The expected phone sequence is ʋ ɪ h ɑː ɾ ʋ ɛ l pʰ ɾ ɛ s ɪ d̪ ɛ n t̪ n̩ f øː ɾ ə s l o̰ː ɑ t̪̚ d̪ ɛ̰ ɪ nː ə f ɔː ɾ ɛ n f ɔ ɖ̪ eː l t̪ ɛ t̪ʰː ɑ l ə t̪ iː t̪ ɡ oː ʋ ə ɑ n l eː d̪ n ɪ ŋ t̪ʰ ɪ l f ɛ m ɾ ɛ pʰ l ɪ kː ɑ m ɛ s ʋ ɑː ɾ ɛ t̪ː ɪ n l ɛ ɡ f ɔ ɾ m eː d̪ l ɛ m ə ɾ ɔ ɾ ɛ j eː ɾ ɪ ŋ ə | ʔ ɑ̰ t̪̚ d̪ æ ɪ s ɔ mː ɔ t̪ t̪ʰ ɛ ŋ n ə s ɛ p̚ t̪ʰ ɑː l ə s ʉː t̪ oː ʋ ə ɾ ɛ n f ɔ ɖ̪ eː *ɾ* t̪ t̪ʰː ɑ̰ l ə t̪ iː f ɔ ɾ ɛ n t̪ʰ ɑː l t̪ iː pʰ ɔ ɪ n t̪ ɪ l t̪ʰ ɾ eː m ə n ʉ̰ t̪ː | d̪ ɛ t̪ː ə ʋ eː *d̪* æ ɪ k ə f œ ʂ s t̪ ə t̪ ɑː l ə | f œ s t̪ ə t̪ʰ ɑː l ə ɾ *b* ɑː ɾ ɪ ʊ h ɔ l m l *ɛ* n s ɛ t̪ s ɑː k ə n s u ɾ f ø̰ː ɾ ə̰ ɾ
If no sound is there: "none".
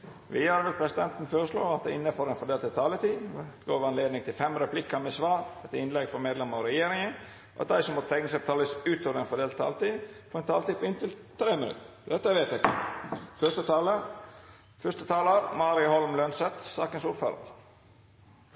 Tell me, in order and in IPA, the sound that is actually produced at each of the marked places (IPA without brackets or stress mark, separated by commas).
l, t̪, m, œ